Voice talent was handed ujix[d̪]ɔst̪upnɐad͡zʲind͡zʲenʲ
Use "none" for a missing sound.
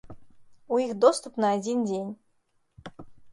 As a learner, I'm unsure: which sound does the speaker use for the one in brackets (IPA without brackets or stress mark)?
d̪